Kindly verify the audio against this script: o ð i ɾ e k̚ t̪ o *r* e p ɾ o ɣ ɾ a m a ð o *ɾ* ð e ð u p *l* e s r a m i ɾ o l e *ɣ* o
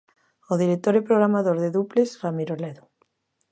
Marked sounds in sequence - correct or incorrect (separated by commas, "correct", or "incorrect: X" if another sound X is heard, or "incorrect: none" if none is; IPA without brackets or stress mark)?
incorrect: ɾ, correct, correct, incorrect: ð